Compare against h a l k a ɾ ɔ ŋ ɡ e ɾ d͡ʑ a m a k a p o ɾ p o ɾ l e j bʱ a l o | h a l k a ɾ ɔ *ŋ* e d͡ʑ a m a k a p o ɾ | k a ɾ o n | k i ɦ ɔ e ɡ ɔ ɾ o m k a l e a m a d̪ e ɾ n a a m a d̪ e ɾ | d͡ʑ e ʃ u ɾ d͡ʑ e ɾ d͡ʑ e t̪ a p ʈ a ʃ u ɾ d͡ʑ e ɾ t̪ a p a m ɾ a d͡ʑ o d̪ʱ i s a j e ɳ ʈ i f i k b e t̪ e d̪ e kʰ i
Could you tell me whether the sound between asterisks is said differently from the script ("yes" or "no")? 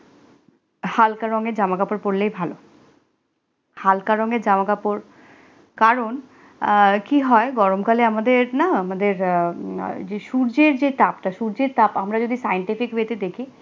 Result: no